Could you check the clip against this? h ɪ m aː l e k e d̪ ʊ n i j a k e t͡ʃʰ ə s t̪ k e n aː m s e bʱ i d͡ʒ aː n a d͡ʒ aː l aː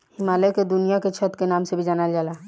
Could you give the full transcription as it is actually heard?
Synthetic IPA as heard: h ɪ m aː l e k e d̪ ʊ n i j a k e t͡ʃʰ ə t̪ k e n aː m s e bʱ i d͡ʒ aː n a d͡ʒ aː l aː